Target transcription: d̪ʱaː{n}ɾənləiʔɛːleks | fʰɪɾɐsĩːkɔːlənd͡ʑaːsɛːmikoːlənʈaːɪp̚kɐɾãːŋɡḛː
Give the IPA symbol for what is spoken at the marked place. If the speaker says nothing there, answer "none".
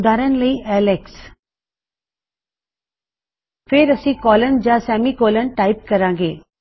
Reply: none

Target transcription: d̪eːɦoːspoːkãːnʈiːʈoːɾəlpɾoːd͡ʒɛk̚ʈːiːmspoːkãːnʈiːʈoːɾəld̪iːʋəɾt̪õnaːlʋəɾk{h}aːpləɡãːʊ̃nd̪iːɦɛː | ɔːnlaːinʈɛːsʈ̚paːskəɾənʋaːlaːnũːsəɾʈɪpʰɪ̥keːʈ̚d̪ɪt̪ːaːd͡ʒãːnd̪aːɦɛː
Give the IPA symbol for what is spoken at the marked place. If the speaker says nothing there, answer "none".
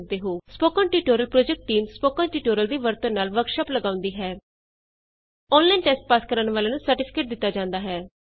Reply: ʃ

